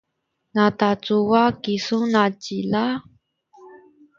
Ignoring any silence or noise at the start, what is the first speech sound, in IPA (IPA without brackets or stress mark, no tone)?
n